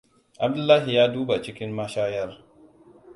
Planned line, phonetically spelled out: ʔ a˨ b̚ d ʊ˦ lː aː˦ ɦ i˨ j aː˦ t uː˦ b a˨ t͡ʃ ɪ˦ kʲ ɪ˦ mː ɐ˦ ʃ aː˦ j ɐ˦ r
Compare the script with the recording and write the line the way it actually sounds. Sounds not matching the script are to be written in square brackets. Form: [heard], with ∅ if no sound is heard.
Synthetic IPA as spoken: ʔ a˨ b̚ d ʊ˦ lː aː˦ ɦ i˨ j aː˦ [d] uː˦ b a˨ t͡ʃ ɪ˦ kʲ ɪ˦ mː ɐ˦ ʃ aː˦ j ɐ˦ r

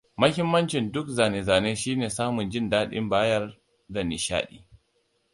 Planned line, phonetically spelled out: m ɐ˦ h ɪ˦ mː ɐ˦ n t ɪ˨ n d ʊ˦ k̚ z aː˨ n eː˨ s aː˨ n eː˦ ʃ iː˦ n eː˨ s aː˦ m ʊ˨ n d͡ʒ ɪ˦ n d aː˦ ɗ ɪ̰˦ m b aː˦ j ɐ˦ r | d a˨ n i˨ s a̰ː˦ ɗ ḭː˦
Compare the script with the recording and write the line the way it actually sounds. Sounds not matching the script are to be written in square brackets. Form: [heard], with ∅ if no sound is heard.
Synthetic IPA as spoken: m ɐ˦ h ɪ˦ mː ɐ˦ n [t͡ʃ] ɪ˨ n d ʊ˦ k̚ z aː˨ n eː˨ [z] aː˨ n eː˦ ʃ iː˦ n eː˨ s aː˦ m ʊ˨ n d͡ʒ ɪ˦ n d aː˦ ɗ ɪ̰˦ m b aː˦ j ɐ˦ r | d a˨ n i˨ [ʃ] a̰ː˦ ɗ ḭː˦

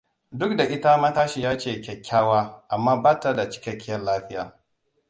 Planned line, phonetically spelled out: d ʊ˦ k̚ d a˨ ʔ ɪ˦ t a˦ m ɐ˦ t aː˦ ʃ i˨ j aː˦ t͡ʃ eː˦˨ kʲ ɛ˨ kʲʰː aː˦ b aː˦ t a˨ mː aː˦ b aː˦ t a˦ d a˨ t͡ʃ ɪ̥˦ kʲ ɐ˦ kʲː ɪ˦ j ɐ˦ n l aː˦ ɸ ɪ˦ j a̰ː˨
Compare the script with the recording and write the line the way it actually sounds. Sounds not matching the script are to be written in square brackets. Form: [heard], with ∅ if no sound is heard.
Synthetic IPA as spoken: d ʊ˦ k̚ d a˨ ʔ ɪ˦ t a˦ m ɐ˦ t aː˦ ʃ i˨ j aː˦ t͡ʃ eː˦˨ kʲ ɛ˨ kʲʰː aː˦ [w] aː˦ [ʔ] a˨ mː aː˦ b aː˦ t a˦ d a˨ t͡ʃ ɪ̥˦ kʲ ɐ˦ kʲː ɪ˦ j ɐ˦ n l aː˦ ɸ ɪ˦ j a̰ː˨

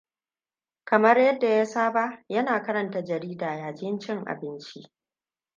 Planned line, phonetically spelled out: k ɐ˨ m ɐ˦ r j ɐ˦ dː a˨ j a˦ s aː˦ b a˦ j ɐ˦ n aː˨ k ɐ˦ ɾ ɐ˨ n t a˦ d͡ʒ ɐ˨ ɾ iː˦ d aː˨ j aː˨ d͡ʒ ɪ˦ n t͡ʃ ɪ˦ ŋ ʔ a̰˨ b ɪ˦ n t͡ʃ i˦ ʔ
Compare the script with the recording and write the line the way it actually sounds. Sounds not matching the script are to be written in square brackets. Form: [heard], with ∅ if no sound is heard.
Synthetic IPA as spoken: k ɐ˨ m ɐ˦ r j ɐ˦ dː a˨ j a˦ s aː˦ b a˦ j ɐ˦ n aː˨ k ɐ˦ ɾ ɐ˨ n t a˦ d͡ʒ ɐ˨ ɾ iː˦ d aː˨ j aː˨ d͡ʒ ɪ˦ n t͡ʃ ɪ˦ ŋ ʔ a̰˨ b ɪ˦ n t͡ʃ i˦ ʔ

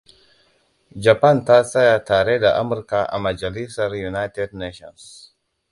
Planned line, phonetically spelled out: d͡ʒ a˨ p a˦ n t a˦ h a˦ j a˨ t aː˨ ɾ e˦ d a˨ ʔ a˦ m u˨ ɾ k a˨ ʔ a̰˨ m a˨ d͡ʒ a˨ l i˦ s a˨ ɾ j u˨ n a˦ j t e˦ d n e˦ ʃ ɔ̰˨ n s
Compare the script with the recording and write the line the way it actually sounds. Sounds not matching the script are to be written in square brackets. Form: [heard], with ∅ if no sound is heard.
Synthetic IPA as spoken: d͡ʒ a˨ p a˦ n t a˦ [s] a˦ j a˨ t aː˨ ɾ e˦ d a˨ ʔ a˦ m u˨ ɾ k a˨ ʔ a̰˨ m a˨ d͡ʒ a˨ l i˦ s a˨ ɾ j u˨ n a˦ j t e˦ d n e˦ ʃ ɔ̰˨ n s

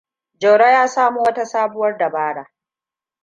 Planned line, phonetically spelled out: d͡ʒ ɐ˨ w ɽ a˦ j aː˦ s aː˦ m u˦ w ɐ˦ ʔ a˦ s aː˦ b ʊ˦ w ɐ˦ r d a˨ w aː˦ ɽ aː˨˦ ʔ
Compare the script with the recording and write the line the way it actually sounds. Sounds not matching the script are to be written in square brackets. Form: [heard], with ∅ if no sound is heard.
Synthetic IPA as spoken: d͡ʒ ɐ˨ w ɽ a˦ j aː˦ s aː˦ m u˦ w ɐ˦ [t] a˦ s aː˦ b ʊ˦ w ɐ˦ r d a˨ [b] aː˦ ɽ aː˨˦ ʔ

